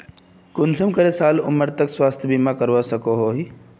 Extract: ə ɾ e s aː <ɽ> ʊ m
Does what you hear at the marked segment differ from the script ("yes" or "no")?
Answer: yes